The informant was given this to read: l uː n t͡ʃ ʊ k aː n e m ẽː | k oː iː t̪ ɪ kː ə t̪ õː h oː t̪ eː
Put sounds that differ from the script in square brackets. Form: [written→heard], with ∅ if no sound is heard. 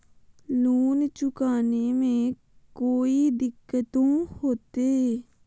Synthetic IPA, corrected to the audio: l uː n t͡ʃ ʊ k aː n e m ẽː | k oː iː [t̪→d̪] ɪ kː ə t̪ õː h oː t̪ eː